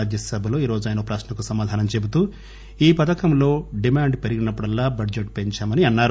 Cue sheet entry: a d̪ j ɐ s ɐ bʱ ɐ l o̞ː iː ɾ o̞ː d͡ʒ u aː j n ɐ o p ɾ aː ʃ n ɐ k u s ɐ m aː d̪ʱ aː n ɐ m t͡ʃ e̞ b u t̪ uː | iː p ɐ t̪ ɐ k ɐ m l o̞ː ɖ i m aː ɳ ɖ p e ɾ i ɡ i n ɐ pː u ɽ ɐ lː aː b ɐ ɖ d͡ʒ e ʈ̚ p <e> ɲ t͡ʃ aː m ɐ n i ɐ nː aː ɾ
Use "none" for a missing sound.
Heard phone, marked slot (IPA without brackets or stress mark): e